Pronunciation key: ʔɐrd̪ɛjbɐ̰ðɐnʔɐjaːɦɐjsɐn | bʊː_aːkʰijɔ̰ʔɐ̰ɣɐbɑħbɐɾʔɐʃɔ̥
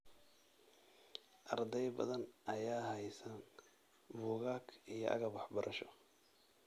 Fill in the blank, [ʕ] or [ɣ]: ɣ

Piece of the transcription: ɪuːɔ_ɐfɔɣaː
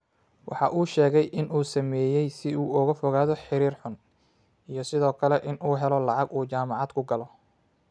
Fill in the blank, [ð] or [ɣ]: ɣ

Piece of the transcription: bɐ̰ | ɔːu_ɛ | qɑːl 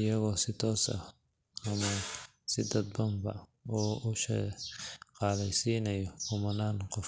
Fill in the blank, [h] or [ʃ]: ʃ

